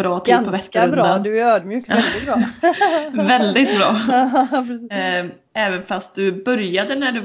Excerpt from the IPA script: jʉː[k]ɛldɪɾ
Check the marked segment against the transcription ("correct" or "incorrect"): correct